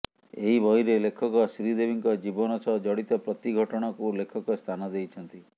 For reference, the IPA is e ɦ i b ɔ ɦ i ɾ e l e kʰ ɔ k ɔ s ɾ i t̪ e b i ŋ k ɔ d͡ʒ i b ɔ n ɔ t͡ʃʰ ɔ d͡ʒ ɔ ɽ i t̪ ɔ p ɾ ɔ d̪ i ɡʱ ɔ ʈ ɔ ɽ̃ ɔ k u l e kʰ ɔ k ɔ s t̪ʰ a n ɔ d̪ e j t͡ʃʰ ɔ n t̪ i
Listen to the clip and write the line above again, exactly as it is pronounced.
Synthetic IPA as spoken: e ɦ i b ɔ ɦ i ɾ e l e kʰ ɔ k ɔ s ɾ i d̪ e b i ŋ k ɔ d͡ʒ i b ɔ n ɔ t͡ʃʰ ɔ d͡ʒ ɔ ɽ i t̪ ɔ p ɾ ɔ t̪ i ɡʱ ɔ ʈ ɔ ɽ̃ ɔ k u l e kʰ ɔ k ɔ s t̪ʰ a n ɔ d̪ e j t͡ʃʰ ɔ n t̪ i